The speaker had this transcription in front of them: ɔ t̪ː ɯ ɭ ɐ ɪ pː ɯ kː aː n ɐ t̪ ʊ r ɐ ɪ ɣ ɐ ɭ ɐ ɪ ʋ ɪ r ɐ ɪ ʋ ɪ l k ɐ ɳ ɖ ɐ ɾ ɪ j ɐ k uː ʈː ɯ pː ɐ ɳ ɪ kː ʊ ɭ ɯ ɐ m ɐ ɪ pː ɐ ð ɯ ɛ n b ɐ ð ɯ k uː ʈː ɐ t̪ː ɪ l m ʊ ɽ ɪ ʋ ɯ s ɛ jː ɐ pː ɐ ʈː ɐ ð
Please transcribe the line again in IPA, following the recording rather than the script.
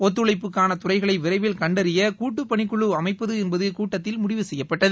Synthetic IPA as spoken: ɔ t̪ː ɯ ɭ ɐ ɪ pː ɯ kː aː n ɐ t̪ ʊ r ɐ ɪ ɣ ɐ ɭ ɐ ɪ ʋ ɪ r ɐ ɪ ʋ ɪ l k ɐ ɳ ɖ ɐ ɾ ɪ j ɐ k uː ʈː ɯ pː ɐ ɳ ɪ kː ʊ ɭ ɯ ɐ m ɐ ɪ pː ɐ ð ɯ ɛ n b ɐ ð ɯ k uː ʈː ɐ t̪ː ɪ l m ʊ ɽ ɪ ʋ ɯ s ɛ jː ɐ pː ɐ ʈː ɐ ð

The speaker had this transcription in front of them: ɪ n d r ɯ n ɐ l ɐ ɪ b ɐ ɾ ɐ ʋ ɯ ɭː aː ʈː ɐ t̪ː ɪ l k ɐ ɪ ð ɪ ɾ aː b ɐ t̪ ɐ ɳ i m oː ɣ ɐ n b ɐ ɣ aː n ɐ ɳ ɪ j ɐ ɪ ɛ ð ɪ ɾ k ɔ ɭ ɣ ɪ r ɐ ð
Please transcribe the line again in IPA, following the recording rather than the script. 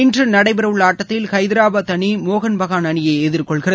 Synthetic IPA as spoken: ɪ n d r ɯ n ɐ ɽ ɐ ɪ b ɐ ɾ ɐ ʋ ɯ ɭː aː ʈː ɐ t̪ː ɪ l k ɐ ɪ ð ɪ ɾ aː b ɐ t̪ ɐ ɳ i m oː ɣ ɐ n b ɐ ɣ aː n ɐ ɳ ɪ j ɐ ɪ ɛ ð ɪ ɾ k ɔ ɭ ɣ ɪ r ɐ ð

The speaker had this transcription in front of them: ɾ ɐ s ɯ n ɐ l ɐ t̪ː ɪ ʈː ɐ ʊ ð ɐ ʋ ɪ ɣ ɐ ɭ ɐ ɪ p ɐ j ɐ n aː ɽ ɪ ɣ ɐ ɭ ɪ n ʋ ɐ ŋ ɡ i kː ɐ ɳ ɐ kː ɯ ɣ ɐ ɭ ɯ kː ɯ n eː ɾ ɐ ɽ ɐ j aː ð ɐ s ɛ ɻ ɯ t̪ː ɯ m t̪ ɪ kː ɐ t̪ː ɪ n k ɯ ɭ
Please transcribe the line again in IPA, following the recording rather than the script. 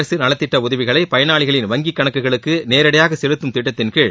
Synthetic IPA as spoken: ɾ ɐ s ɯ n ɐ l ɐ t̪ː ɪ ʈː ɐ ʊ ð ɐ ʋ ɪ ɣ ɐ ɭ ɐ ɪ p ɐ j ɐ n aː ɭ ɪ ɣ ɐ ɭ ɪ n ʋ ɐ ŋ ɡ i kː ɐ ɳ ɐ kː ɯ ɣ ɐ ɭ ɯ kː ɯ n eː ɾ ɐ ɽ ɐ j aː ɣ ɐ s ɛ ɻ ɯ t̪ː ɯ m t̪ ɪ ʈː ɐ t̪ː ɪ n k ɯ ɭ

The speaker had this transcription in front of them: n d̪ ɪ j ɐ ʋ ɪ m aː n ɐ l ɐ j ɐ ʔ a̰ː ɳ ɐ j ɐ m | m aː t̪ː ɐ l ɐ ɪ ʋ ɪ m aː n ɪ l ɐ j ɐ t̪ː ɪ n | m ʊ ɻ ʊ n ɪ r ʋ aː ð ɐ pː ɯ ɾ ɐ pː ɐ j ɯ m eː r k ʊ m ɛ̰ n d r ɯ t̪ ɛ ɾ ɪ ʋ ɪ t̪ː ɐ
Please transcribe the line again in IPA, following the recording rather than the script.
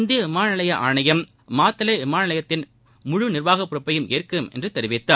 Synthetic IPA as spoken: n d̪ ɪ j ɐ ʋ ɪ m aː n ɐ l ɐ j ɐ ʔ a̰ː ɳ ɐ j ɐ m | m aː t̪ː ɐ l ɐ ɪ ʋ ɪ m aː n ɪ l ɐ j ɐ t̪ː ɪ n | m ʊ ɻ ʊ n ɪ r ʋ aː ɣ ɐ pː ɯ ɾ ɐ pː ɐ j ɯ m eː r k ɯ m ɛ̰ n d r ɯ t̪ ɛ ɾ ɪ ʋ ɪ t̪ː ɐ

